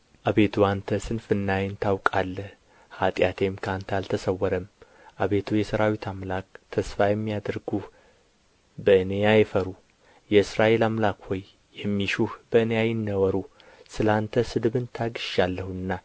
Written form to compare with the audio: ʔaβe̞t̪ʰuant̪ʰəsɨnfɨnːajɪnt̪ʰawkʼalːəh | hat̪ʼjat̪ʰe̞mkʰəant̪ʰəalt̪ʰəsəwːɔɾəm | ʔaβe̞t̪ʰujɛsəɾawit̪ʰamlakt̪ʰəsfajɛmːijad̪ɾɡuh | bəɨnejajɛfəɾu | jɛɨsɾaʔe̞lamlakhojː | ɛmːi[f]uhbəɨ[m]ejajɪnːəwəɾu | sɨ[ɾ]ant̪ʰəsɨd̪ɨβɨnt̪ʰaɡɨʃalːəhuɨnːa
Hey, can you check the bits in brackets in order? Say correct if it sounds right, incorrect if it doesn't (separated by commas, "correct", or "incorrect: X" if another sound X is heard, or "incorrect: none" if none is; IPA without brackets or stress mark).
incorrect: ʃ, incorrect: n, incorrect: l